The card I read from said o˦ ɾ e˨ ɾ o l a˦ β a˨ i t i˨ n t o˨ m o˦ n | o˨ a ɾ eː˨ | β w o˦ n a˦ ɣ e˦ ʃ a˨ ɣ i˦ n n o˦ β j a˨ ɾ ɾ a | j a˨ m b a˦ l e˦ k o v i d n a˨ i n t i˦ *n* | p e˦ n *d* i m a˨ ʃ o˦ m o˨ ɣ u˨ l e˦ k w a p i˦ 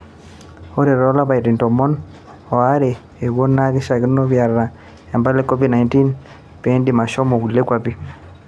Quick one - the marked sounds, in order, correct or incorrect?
correct, correct

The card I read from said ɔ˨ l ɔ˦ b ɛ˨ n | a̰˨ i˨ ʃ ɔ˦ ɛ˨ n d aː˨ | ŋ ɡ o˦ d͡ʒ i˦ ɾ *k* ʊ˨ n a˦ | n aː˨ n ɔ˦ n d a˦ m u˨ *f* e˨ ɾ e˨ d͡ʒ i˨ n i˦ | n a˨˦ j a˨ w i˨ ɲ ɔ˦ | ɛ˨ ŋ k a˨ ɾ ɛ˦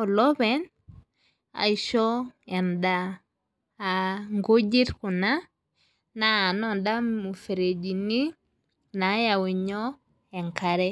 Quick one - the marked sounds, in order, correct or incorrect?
correct, correct

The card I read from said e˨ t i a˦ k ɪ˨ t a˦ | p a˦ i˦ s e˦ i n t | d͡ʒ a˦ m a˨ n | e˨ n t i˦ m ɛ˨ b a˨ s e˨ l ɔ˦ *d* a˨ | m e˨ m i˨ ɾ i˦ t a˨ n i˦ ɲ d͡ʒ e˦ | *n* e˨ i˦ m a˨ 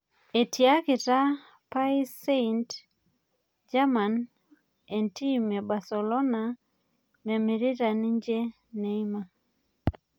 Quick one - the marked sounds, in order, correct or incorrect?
incorrect, correct

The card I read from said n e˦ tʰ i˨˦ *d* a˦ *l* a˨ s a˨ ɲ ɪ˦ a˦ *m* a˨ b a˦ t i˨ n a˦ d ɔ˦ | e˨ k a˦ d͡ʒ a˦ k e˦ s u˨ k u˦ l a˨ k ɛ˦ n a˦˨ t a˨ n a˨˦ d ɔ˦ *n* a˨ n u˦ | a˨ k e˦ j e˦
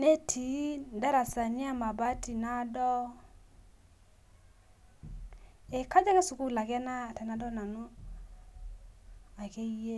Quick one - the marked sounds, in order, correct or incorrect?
correct, incorrect, correct, correct

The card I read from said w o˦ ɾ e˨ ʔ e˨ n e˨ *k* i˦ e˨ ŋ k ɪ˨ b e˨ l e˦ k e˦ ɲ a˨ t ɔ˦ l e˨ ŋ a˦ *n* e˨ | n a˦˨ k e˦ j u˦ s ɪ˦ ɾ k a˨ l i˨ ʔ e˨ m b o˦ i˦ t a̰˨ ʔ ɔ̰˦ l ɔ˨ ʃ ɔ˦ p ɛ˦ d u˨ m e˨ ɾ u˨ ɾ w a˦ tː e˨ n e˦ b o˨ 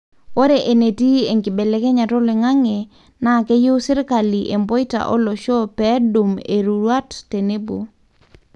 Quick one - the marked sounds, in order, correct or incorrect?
incorrect, incorrect

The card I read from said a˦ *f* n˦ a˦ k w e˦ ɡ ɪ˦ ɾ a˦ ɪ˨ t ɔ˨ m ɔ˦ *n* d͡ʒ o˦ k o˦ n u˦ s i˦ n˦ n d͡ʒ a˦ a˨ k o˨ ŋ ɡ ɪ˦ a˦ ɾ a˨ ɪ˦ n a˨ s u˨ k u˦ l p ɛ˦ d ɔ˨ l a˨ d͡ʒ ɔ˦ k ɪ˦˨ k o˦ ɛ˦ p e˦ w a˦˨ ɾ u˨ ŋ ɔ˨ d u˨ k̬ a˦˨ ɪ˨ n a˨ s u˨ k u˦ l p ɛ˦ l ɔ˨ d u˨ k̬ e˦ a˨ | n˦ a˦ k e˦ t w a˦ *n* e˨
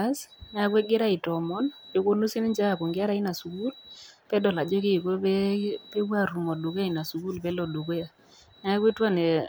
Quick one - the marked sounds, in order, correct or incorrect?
incorrect, correct, correct

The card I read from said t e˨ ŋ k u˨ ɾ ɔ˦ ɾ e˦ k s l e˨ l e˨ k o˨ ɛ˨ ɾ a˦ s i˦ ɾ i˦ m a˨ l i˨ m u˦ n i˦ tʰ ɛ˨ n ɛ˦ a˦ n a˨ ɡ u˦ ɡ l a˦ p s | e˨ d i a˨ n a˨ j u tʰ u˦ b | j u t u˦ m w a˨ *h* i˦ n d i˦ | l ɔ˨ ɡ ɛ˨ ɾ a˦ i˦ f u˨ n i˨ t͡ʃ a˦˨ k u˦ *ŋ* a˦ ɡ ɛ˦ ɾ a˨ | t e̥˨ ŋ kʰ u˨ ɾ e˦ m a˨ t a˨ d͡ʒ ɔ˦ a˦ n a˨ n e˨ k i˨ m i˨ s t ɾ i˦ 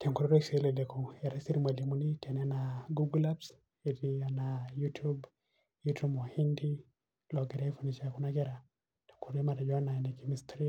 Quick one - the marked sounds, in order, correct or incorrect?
correct, incorrect

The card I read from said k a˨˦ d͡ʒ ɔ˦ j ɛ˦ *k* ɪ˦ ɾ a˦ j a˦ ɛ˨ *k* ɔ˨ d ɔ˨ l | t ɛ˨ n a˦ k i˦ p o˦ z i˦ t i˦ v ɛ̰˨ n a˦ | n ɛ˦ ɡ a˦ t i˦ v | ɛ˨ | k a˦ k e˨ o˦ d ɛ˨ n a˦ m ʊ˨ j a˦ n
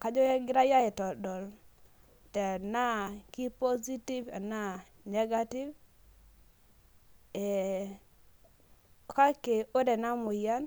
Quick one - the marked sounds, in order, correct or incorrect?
incorrect, incorrect

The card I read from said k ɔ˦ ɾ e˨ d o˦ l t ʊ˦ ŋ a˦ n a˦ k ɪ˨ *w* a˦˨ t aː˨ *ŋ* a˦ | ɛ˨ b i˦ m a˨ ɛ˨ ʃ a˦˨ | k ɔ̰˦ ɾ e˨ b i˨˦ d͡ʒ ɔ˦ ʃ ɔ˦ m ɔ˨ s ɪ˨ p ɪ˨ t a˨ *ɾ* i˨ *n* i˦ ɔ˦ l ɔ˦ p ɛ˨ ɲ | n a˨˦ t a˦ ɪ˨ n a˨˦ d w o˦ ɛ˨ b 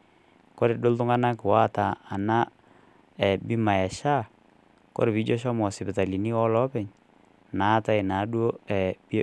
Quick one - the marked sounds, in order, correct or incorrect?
correct, incorrect, incorrect, correct

